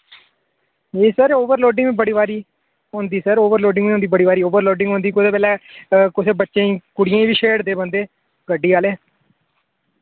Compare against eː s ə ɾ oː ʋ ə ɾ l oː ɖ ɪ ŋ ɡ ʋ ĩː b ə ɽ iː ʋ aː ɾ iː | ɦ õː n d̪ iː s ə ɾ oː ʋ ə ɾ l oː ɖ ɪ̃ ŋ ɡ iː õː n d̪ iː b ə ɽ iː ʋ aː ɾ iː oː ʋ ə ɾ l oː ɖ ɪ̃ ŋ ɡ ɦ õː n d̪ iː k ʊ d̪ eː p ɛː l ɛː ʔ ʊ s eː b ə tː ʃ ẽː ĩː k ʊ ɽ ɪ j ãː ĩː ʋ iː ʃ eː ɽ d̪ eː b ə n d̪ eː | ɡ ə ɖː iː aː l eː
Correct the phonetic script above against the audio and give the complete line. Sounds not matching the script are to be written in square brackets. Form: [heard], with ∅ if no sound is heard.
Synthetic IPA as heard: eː s ə ɾ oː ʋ ə ɾ l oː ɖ ɪ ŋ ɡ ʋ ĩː b ə ɽ iː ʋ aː ɾ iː | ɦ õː n d̪ iː s ə ɾ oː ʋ ə ɾ l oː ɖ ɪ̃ ŋ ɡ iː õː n d̪ iː b ə ɽ iː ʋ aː ɾ iː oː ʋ ə ɾ l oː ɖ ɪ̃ ŋ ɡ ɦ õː n d̪ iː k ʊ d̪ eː p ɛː l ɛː [k] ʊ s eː b ə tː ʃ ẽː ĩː k ʊ ɽ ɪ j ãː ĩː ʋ iː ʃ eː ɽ d̪ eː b ə n d̪ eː | ɡ ə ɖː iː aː l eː

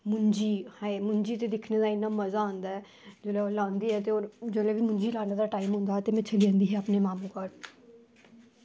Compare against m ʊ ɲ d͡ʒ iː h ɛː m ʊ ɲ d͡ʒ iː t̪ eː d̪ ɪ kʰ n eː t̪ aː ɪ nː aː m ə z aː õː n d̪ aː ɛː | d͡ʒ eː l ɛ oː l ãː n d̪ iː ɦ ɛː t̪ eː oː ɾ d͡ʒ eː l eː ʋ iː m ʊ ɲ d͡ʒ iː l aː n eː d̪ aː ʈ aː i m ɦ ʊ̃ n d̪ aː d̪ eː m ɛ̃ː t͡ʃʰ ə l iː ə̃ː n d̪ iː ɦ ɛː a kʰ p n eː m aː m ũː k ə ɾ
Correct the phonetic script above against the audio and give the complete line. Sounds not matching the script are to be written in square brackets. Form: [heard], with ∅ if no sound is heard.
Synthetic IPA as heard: m ʊ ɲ d͡ʒ iː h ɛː m ʊ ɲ d͡ʒ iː t̪ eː d̪ ɪ kʰ n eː [d̪] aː ɪ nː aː m ə z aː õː n d̪ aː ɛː | d͡ʒ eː l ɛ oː l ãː n d̪ iː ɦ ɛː t̪ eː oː ɾ d͡ʒ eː l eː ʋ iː m ʊ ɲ d͡ʒ iː l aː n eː d̪ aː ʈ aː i m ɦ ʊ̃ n d̪ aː [t̪] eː m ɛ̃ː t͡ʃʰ ə l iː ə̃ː n d̪ iː ɦ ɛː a [∅] p n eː m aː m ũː k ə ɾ

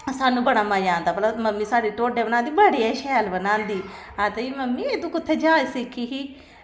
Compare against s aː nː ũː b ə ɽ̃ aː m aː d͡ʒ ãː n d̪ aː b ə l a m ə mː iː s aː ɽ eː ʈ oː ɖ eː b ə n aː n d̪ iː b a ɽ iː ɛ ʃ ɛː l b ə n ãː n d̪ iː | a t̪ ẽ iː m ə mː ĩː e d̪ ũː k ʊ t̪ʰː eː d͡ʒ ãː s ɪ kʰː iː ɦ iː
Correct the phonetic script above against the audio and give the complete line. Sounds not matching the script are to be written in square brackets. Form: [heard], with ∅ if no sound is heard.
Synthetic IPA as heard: s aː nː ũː b ə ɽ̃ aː m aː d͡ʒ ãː n d̪ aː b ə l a m ə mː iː s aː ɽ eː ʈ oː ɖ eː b ə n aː n d̪ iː b [ə] ɽ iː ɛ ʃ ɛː l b ə n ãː n d̪ iː | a t̪ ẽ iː m ə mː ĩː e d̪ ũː k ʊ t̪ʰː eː d͡ʒ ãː s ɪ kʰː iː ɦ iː

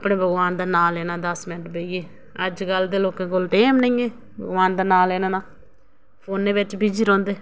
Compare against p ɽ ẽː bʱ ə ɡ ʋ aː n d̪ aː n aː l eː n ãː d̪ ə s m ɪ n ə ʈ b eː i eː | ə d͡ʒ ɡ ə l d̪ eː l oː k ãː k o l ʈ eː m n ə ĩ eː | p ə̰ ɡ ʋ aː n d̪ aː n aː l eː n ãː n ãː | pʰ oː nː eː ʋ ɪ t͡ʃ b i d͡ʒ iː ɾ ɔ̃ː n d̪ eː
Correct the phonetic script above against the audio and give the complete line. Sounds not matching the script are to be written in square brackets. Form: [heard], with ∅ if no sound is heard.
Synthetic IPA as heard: p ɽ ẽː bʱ ə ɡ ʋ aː n d̪ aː n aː l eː n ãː d̪ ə s m ɪ n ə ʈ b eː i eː | ə d͡ʒ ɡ ə l d̪ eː l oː k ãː k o l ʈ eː m n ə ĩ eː | [b] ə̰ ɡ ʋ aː n d̪ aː n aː l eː n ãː n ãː | pʰ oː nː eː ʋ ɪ t͡ʃ b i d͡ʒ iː ɾ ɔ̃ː n d̪ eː

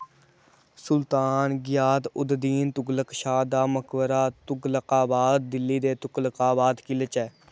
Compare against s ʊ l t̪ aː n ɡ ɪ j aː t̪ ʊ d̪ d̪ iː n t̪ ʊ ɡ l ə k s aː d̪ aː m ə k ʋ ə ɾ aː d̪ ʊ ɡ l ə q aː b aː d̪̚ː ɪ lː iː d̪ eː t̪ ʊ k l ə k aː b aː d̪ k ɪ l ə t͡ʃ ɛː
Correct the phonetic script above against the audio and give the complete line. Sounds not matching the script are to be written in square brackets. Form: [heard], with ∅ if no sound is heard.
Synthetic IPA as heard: s ʊ l t̪ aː n ɡ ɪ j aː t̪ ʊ d̪ d̪ iː n t̪ ʊ ɡ l ə k [ʃ] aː d̪ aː m ə k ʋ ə ɾ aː [t̪] ʊ ɡ l ə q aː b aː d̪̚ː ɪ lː iː d̪ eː t̪ ʊ k l ə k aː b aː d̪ k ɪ l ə t͡ʃ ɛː

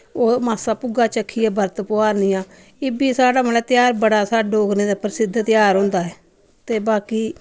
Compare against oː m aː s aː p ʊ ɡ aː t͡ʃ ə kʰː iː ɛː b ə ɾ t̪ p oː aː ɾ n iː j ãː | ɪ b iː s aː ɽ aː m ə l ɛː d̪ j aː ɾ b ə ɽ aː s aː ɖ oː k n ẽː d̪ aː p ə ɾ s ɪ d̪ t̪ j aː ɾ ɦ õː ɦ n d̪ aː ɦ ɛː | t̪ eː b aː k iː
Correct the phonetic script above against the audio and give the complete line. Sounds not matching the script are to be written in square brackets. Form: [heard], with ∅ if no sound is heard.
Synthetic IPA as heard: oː m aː s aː p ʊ ɡ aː t͡ʃ ə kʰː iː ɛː b ə ɾ t̪ p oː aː ɾ n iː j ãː | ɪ b iː s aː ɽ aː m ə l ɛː [t̪] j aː ɾ b ə ɽ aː s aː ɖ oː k n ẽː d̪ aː p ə ɾ s ɪ d̪ t̪ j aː ɾ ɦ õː [∅] n d̪ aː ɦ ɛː | t̪ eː b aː k iː

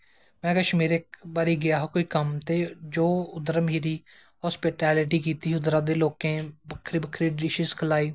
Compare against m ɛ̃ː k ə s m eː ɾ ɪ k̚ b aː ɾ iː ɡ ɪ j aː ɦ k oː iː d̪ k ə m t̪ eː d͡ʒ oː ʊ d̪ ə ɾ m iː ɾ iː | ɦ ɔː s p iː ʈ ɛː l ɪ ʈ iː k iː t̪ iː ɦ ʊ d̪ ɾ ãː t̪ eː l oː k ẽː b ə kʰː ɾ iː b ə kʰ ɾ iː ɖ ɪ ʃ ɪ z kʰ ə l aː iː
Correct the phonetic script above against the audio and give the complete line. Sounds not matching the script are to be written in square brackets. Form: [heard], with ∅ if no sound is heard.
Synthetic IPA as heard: m ɛ̃ː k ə [ʃ] m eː ɾ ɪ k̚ b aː ɾ iː ɡ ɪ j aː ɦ k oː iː [∅] k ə m t̪ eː d͡ʒ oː ʊ d̪ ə ɾ m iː ɾ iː | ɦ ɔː s p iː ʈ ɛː l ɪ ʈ iː k iː t̪ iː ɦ ʊ d̪ ɾ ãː [d̪] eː l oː k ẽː b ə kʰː ɾ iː b ə kʰ ɾ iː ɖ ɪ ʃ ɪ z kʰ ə l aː iː

